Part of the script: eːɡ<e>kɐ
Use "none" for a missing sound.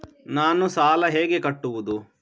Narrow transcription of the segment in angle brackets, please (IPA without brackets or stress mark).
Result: e